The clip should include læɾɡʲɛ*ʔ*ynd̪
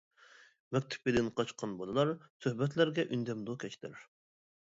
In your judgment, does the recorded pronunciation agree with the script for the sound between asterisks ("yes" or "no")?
yes